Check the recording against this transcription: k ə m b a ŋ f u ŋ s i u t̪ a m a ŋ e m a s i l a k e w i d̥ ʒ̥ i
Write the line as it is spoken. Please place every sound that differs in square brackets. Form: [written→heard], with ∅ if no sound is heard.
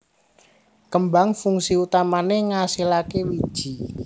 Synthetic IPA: k ə m b a ŋ f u ŋ s i u t̪ a m a [ŋ→n] e [m→ŋ] a s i l a k e w i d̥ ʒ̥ i